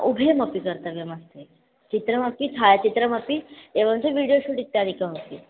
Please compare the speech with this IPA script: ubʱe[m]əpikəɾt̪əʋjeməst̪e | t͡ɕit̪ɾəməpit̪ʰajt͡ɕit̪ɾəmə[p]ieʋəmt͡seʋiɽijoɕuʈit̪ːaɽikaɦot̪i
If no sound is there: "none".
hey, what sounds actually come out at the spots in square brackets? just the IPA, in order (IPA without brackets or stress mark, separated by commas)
m, p